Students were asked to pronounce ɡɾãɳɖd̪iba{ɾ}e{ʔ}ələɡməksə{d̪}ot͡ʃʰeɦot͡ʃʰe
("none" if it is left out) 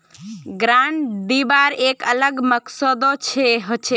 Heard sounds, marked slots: ɾ, k, d̪

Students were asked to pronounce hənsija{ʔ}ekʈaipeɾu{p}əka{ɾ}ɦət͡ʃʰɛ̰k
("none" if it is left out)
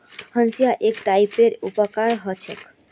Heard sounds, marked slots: ʔ, p, ɾ

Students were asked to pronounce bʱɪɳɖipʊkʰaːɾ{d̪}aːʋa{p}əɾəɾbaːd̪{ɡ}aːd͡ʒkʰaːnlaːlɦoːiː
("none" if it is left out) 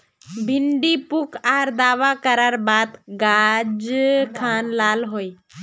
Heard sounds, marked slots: d̪, k, ɡ

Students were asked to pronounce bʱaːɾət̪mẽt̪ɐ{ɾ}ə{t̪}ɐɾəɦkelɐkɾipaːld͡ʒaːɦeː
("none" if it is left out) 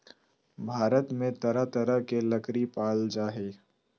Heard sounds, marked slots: ɾ, t̪

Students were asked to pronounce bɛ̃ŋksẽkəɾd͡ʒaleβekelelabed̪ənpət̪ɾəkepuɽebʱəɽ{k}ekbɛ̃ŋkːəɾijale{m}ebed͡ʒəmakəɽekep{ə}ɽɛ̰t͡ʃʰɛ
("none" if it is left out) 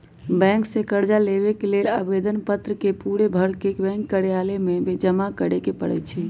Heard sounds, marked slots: k, m, ə

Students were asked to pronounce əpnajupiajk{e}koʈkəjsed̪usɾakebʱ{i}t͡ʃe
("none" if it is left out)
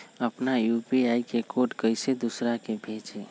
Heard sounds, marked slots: e, e

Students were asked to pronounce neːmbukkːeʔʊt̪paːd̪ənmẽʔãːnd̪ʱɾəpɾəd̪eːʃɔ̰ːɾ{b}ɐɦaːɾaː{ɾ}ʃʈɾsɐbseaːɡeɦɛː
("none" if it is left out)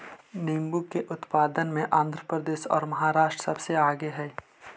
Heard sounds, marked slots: m, none

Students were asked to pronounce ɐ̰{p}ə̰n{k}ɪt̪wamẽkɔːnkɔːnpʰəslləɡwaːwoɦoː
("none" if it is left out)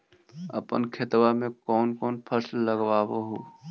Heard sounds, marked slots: p, kʰ

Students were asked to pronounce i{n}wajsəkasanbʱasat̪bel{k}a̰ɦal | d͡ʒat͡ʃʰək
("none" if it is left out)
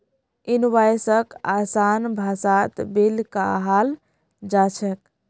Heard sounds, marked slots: n, k

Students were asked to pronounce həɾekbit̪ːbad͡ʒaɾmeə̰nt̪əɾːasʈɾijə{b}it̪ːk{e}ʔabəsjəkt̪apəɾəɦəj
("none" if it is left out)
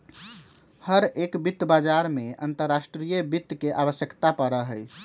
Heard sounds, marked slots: b, e

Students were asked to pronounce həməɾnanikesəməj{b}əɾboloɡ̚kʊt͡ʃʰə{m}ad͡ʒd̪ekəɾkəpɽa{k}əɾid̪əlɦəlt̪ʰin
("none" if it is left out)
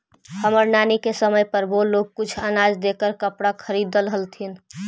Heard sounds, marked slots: p, n, kʰ

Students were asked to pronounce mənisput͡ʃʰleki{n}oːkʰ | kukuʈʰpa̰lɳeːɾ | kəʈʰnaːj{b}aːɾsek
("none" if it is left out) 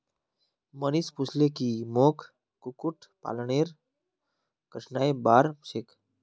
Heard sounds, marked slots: m, b

